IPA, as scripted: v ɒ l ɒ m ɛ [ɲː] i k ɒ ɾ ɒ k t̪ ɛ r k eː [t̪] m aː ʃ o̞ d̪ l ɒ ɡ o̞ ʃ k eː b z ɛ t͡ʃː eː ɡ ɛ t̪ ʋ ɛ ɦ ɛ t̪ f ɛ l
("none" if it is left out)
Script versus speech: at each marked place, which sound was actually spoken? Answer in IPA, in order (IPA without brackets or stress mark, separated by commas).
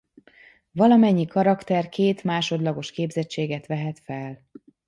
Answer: ɲː, t̪